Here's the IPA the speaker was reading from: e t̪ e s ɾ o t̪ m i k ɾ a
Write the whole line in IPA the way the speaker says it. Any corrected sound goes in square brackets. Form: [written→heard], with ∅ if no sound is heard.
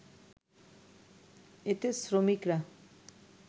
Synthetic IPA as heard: e t̪ e s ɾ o [t̪→∅] m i k ɾ a